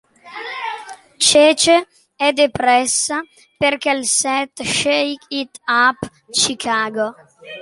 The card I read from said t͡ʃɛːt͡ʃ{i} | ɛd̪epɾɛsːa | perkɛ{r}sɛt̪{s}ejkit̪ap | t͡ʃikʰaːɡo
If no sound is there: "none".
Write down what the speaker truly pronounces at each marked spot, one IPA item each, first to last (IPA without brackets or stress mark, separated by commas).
e, l, ʃ